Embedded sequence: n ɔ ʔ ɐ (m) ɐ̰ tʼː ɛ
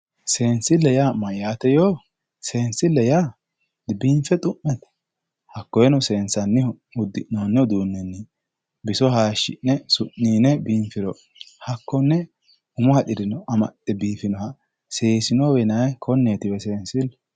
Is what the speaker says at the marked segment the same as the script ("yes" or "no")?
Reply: yes